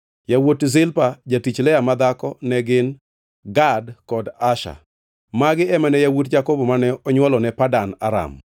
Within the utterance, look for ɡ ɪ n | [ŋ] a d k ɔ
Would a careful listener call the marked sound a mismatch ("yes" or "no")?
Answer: yes